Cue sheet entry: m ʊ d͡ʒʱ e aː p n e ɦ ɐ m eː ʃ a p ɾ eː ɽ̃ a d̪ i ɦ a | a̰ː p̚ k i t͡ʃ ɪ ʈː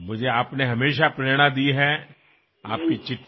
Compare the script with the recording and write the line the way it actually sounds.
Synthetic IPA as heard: m ʊ d͡ʒʱ e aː p n e ɦ ɐ m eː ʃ a p ɾ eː ɽ̃ a d̪ i ɦ ɛ | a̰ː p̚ k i t͡ʃ ɪ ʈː